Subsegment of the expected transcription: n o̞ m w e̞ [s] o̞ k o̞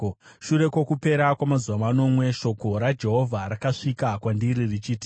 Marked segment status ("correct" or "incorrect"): incorrect